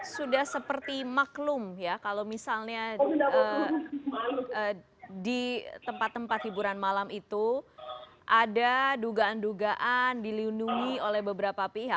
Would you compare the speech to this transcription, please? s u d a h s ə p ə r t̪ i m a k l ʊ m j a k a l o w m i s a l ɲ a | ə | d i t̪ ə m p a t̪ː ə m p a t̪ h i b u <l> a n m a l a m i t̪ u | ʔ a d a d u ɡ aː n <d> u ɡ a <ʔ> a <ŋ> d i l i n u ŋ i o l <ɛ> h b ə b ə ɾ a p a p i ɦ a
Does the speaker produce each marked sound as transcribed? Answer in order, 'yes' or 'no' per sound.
no, yes, yes, no, yes

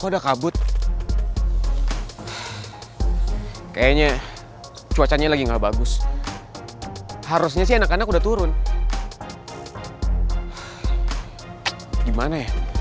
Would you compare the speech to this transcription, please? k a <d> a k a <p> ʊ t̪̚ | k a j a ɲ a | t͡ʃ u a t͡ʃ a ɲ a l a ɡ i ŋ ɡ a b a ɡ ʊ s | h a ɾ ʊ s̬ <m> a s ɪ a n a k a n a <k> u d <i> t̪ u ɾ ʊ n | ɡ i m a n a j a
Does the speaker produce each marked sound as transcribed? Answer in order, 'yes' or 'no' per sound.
yes, no, no, yes, no

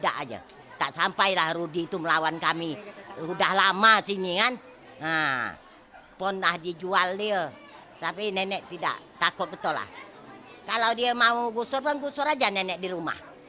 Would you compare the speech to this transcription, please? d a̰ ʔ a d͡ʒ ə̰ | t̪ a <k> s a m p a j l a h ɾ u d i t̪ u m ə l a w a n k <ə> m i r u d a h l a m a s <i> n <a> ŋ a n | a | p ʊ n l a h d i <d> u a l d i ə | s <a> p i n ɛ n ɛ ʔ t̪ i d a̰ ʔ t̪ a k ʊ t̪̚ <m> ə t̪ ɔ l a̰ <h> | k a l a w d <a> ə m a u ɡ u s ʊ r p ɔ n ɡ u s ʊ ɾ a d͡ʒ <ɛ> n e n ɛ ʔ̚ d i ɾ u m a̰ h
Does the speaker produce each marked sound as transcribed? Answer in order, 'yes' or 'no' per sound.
no, no, yes, no, no, yes, no, yes, no, no

